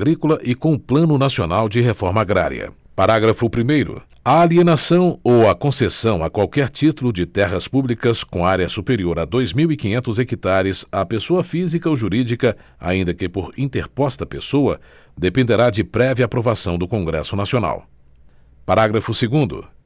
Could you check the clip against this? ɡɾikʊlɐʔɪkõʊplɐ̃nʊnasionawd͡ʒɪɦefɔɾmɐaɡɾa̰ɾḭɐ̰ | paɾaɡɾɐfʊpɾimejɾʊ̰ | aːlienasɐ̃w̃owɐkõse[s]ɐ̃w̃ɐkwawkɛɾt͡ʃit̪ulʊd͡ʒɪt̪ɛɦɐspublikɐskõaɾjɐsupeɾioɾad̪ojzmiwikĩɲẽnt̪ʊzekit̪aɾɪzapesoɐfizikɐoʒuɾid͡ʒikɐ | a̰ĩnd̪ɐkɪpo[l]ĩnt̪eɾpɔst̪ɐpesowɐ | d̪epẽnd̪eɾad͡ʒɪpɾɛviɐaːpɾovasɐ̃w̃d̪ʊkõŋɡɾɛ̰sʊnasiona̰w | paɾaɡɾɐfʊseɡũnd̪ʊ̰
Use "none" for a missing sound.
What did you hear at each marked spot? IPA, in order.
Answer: s, ɾ

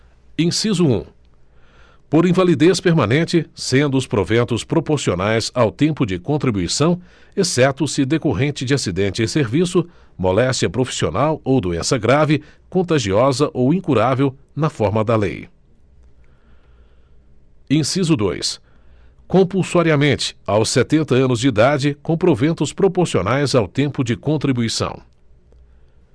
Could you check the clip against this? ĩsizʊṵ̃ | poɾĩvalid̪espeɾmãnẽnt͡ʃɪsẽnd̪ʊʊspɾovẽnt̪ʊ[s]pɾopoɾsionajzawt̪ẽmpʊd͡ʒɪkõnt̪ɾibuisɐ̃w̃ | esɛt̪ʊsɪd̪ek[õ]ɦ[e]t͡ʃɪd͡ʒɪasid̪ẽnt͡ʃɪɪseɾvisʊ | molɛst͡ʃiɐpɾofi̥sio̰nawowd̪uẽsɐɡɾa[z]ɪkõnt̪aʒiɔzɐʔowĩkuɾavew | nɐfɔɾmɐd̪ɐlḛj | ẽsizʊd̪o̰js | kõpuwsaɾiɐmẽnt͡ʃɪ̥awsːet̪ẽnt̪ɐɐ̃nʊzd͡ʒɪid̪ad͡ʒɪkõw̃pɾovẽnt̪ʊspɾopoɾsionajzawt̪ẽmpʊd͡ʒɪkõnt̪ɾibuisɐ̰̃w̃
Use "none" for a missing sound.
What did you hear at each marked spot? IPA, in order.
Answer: s, o, ẽ, v

